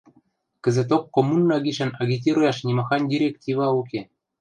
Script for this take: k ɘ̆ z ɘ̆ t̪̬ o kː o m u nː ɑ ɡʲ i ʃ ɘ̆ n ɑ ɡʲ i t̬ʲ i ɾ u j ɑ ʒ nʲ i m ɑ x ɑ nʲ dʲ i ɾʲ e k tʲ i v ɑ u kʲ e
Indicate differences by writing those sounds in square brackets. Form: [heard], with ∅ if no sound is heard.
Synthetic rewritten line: k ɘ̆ z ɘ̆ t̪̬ o kː o m u nː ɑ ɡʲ i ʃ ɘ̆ n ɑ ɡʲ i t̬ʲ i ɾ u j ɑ [ʃ] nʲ i m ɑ x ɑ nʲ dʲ i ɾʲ e k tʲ i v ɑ u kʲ e